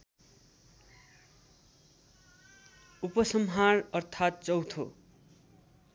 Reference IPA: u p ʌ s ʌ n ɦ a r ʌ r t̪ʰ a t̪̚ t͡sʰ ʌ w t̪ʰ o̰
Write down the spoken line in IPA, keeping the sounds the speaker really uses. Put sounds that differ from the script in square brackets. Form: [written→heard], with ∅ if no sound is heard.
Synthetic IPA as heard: u p ʌ s ʌ [n→m] ɦ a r ʌ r t̪ʰ a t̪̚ [t͡sʰ→t͡s] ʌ w t̪ʰ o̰